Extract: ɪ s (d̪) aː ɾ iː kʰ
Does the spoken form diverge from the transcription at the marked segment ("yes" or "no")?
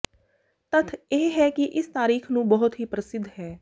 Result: yes